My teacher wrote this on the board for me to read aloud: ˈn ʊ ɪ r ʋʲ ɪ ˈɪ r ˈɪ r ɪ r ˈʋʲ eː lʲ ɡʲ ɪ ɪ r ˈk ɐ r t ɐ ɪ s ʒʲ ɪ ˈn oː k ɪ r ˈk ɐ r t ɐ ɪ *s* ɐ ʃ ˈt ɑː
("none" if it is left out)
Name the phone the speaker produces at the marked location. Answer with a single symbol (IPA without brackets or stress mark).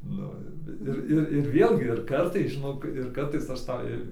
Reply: s